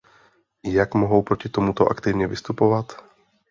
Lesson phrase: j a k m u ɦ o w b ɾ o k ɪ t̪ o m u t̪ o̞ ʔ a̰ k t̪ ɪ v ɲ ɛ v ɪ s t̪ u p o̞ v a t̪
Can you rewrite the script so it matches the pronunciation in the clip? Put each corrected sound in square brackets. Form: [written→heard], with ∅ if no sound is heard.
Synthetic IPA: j a k m [u→o] ɦ o w [b→p] ɾ o [k→c] ɪ t̪ o m u t̪ o̞ ʔ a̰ k t̪ ɪ v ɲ ɛ v ɪ s t̪ u p o̞ v a t̪